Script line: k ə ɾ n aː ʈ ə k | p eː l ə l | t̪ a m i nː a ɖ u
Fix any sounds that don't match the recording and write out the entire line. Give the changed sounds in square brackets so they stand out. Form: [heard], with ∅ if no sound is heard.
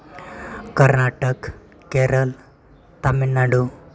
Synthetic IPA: k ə ɾ n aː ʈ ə k | [k] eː [ɾ] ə l | t̪ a m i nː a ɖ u